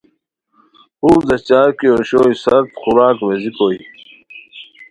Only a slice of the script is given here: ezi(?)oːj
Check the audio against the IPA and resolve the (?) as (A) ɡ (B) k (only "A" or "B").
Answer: B